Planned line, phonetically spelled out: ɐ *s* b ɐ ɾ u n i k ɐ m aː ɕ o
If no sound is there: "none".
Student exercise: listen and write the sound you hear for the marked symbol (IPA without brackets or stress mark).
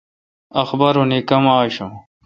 x